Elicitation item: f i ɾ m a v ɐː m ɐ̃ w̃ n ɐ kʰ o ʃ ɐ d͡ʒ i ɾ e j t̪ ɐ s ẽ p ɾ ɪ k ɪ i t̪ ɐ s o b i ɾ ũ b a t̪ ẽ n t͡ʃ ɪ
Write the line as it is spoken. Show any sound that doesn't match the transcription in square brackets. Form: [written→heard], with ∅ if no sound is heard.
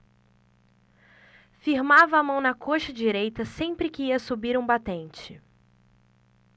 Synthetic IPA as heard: f i ɾ m a v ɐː m ɐ̃ w̃ n ɐ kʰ o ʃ ɐ d͡ʒ i ɾ e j t̪ ɐ s ẽ p ɾ ɪ k ɪ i [t̪→∅] ɐ s [o→u] b i ɾ ũ b a t̪ ẽ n t͡ʃ ɪ